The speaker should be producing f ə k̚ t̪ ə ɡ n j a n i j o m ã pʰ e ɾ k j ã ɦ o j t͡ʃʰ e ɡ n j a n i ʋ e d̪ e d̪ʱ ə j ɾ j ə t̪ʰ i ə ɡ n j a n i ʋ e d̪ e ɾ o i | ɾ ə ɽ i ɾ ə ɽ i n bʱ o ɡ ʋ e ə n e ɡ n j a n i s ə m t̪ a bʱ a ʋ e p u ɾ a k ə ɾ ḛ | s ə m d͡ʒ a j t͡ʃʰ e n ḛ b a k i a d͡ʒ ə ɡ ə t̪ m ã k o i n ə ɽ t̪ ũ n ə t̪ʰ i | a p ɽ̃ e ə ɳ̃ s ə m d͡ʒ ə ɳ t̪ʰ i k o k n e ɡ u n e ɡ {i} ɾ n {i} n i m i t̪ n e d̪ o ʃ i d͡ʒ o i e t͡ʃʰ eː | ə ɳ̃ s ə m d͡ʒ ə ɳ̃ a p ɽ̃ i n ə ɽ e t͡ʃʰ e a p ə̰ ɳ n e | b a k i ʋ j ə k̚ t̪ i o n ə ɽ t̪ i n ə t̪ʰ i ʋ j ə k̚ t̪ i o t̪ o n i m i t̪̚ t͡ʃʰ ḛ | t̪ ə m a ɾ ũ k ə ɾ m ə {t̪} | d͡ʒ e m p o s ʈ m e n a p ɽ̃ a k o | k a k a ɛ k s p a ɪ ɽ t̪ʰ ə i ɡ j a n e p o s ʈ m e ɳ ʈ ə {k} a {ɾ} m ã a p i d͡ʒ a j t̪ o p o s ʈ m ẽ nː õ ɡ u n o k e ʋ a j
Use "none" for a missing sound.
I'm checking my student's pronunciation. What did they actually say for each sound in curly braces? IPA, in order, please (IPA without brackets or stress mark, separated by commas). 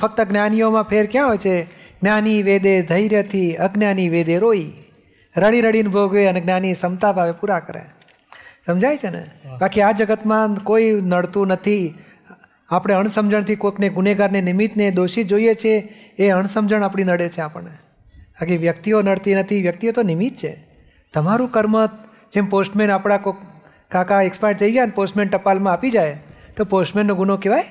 a, e, t̪, p, l